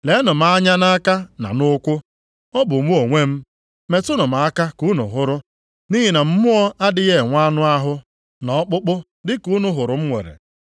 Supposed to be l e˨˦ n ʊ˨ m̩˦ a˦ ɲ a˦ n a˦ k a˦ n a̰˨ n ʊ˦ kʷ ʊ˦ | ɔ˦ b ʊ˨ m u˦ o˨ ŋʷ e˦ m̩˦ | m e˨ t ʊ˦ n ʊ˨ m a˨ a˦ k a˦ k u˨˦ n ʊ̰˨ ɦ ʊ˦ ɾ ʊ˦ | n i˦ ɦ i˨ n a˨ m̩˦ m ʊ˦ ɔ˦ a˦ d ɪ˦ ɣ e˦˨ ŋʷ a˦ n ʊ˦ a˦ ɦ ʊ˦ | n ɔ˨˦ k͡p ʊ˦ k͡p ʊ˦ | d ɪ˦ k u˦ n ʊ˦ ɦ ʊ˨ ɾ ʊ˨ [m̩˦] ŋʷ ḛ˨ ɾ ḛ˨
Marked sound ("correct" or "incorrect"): correct